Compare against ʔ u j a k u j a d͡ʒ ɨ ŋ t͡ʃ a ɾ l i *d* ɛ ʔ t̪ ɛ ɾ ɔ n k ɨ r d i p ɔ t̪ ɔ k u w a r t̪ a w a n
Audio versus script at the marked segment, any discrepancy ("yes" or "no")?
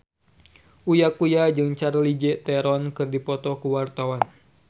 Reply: yes